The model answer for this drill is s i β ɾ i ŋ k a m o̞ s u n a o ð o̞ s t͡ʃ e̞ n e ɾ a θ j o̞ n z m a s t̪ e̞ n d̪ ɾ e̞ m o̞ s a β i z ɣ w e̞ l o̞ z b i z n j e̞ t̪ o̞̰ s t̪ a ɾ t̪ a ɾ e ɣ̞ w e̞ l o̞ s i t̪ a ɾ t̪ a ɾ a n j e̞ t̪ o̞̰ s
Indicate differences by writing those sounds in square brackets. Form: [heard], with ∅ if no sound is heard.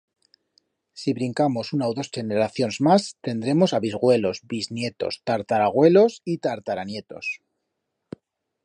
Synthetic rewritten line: s i β ɾ i ŋ k a m o̞ s u n a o ð o̞ s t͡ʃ e̞ n e ɾ a θ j o̞ n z m a s t̪ e̞ n d̪ ɾ e̞ m o̞ s a β i z ɣ w e̞ l o̞ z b i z n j e̞ t̪ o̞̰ s t̪ a ɾ t̪ a ɾ [a] ɣ̞ w e̞ l o̞ s i t̪ a ɾ t̪ a ɾ a n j e̞ t̪ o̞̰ s